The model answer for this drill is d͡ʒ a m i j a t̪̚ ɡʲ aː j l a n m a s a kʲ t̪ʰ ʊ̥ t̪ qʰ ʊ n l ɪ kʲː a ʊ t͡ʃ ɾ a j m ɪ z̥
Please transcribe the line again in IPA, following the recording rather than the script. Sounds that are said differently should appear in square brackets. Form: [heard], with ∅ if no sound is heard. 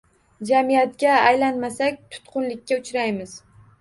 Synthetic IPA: d͡ʒ a m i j a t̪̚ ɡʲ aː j l a n m a s a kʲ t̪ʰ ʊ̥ t̪ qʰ ʊ n l ɪ kʲː a ʊ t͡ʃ ɾ a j m ɪ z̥